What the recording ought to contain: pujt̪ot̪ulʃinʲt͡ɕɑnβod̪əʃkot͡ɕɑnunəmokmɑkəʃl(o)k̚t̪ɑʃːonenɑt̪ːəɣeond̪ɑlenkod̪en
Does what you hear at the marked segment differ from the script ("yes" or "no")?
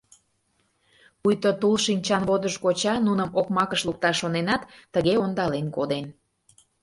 yes